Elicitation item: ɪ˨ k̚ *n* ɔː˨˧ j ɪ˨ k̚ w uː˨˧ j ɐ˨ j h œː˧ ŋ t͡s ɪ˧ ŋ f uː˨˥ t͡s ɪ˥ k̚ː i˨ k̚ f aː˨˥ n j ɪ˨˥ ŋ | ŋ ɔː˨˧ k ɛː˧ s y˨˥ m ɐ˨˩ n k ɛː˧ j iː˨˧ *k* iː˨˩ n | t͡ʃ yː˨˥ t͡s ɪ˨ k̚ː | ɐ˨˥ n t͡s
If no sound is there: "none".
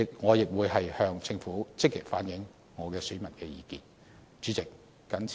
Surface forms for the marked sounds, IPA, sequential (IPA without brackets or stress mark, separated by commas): ŋ, k